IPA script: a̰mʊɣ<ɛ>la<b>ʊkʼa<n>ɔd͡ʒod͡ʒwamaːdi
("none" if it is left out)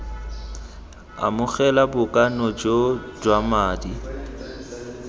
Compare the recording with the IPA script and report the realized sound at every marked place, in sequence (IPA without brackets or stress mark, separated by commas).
ɛ, b, n